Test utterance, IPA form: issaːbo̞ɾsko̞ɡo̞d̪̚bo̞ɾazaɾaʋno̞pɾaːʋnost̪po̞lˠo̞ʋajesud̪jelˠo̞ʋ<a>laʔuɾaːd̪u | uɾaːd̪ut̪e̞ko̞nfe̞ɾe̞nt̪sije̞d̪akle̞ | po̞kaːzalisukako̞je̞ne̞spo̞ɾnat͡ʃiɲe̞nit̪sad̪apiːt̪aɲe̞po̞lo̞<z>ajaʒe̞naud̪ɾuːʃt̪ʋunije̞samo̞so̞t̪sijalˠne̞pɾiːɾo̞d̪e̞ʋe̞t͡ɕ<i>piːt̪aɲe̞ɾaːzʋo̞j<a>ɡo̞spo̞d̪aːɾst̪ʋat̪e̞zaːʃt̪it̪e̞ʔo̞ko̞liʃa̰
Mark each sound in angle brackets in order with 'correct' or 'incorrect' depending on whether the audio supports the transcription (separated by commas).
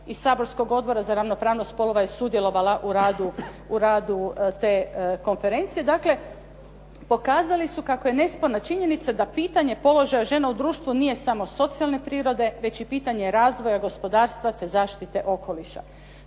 correct, incorrect, correct, correct